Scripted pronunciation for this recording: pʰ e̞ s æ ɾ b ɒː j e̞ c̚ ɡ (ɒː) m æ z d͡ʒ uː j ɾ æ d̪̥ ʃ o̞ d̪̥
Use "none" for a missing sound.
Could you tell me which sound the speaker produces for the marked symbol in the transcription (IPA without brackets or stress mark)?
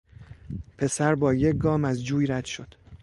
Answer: ɒː